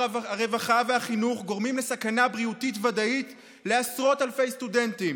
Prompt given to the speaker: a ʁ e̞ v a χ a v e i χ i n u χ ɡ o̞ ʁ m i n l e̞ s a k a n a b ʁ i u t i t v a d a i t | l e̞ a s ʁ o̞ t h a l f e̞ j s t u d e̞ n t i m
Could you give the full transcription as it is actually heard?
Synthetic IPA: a ʁ e̞ v a χ a v e a χ i n u χ ɡ o̞ ʁ m i m l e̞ s a k a n a b ʁ i u t i t v a d a i t | l e̞ a s ʁ o̞ t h a l f e̞ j s t u d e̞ n t i m